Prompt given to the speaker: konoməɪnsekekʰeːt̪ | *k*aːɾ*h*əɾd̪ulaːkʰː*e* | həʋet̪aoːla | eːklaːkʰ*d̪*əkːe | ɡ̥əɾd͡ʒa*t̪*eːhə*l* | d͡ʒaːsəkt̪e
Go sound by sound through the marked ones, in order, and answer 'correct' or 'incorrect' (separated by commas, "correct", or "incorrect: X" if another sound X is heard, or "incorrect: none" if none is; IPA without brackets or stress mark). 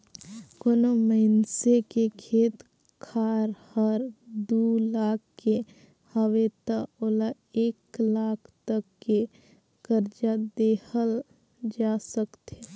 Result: incorrect: kʰ, correct, correct, incorrect: t̪, incorrect: d̪, correct